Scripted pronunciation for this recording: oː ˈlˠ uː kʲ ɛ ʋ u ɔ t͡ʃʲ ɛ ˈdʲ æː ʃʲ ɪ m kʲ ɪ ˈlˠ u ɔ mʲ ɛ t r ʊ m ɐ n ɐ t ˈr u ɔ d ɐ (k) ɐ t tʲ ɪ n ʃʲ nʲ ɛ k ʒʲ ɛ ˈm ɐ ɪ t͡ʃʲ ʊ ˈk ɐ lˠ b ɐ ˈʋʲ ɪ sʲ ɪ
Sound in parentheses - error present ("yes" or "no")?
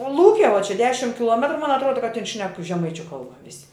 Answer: no